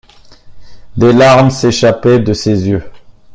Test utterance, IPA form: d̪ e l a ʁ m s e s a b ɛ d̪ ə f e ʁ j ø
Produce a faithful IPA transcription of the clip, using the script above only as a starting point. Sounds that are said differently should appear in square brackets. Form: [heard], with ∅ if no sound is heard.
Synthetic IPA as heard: d̪ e l a ʁ m s e [ʃ] a [p] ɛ d̪ ə [s] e [z] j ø